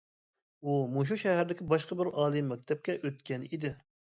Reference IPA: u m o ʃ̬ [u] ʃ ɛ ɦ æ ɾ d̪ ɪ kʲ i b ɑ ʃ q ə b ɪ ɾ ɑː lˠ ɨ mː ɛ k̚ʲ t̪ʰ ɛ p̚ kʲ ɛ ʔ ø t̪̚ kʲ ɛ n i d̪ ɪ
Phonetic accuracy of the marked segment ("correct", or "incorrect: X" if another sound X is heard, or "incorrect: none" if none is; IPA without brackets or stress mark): correct